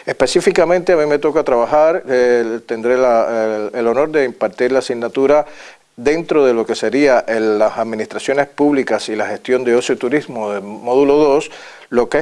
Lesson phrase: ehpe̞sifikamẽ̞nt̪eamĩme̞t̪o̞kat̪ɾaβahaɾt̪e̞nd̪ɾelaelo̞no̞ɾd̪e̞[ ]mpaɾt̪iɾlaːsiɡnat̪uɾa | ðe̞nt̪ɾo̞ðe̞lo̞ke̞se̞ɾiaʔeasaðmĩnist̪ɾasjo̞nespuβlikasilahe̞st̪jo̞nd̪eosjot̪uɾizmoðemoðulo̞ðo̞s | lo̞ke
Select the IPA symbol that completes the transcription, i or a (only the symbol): i